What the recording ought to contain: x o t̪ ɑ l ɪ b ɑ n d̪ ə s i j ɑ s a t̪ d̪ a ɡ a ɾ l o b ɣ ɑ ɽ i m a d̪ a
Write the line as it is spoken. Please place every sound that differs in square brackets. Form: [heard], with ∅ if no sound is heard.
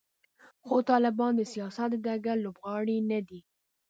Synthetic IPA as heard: x o t̪ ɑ l ɪ b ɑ n d̪ ə s i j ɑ s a t̪ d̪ a ɡ a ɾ l o b ɣ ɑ ɽ i [n] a d̪ [i]

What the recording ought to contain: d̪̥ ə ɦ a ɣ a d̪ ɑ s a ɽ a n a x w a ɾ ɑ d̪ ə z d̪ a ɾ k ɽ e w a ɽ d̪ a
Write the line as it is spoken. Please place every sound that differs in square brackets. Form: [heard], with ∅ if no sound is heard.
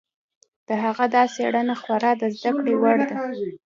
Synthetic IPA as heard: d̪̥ ə ɦ a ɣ a d̪ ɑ s [e] ɽ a n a x w a ɾ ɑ d̪ ə z d̪ a [∅] k ɽ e w a ɽ d̪ a

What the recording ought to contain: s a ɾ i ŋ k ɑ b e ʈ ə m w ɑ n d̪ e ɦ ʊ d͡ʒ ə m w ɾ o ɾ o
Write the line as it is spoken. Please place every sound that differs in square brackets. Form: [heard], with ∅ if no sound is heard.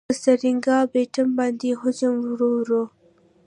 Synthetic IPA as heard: s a ɾ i ŋ [ɡ] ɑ b e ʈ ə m [b] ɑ n d̪ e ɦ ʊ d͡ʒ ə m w ɾ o ɾ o

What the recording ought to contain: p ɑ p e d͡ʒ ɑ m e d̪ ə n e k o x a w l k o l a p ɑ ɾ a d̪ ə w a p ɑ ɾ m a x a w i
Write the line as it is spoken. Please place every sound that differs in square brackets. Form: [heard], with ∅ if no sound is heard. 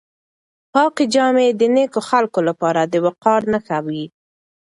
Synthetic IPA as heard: p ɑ [q] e d͡ʒ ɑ m e d̪ ə n e k o x a [∅] l k o l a p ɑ ɾ a d̪ ə w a [q] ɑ ɾ [n] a x a w i

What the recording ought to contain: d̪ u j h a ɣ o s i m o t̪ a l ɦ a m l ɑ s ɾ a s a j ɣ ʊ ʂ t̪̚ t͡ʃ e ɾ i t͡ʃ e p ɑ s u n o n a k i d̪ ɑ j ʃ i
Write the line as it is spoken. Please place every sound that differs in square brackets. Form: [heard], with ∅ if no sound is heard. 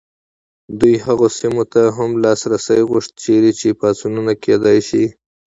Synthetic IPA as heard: d̪ u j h a ɣ o s i m o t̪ a [∅] ɦ a m l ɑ s ɾ a s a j ɣ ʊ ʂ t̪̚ t͡ʃ e ɾ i t͡ʃ e p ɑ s u n [u] n a k [e] d̪ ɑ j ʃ i

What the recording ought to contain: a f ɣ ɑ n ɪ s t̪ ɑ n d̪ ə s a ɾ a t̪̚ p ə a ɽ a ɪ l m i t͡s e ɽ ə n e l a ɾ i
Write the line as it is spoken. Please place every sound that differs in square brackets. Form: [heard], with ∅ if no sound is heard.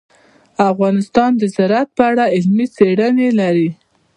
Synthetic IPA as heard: a f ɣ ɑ n ɪ s t̪ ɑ n d̪ ə [z] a ɾ a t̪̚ p ə a ɽ a ɪ l m i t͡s e ɽ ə n e l a ɾ i

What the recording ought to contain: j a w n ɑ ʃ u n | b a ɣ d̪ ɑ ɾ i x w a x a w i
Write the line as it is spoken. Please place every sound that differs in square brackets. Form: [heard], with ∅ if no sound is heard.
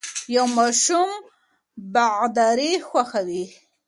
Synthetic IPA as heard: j a w [m] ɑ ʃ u [m] | b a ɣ d̪ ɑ ɾ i x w a x a w i

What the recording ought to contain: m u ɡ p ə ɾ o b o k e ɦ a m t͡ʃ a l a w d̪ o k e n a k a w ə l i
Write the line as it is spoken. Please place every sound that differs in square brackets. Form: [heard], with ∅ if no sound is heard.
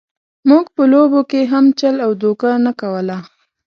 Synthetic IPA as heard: m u ɡ p ə [l] o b o k e ɦ a m t͡ʃ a l a w d̪ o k [a] n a k a w ə l [a]

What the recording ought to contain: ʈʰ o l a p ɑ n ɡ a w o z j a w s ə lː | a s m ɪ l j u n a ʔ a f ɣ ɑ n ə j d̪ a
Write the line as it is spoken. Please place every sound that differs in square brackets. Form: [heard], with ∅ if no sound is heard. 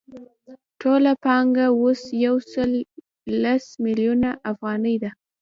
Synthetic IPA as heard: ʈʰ o l a p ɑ [ŋ] ɡ a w o [s] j a w s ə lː | a s m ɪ l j u n a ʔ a f ɣ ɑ n ə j d̪ a

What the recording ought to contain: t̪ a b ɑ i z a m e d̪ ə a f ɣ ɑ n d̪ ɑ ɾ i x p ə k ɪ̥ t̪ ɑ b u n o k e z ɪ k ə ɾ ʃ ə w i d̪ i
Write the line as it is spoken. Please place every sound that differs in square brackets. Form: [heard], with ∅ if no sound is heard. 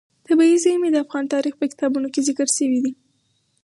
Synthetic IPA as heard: t̪ a b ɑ i z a m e d̪ ə a f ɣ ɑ n [t̪] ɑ ɾ i x p ə k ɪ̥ t̪ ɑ b u n o k e z ɪ k ə ɾ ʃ ə w i d̪ i

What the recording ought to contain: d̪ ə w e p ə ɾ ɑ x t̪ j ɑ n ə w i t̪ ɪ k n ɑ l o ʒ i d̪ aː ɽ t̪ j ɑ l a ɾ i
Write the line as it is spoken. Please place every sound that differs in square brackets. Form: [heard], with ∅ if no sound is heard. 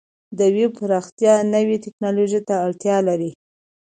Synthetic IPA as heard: d̪ ə w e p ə ɾ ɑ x t̪ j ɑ n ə w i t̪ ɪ k n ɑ l o ʒ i [t̪] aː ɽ t̪ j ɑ l a ɾ i

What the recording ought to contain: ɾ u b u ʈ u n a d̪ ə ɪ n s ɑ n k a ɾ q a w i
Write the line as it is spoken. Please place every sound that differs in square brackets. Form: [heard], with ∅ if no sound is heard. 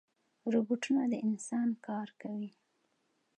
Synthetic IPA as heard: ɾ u b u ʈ u n a d̪ ə ɪ n s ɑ n k [ɑ] ɾ [k] a w i

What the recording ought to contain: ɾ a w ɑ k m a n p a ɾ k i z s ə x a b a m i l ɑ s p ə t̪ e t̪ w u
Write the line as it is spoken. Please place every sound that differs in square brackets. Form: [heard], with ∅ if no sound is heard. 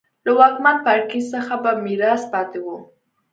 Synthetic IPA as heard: [l] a w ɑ k m a n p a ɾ k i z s ə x a b a m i [ɾ] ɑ s p [ɑ] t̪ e [∅] w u

